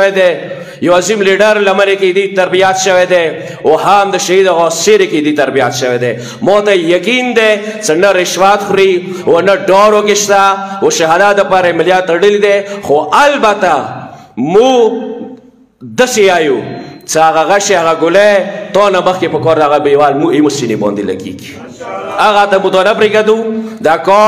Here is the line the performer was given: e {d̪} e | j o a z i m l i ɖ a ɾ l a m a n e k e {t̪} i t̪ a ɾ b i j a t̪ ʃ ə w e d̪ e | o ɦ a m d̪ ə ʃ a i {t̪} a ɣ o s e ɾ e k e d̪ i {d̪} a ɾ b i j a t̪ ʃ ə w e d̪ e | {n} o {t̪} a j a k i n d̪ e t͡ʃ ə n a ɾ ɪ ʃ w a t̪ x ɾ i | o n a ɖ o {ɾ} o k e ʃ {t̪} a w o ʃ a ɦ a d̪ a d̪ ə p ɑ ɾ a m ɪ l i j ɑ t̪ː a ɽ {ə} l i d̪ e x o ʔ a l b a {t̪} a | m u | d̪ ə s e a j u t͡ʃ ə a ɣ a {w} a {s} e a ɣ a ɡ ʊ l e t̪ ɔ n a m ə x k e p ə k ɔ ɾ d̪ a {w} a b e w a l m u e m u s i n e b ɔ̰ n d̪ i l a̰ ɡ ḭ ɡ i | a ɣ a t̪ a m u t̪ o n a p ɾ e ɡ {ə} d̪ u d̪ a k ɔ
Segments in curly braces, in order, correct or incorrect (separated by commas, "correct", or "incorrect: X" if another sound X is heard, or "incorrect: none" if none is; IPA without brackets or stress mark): correct, incorrect: d̪, incorrect: d̪, incorrect: t̪, incorrect: m, correct, correct, correct, correct, correct, incorrect: ɣ, incorrect: ʃ, incorrect: ɣ, incorrect: a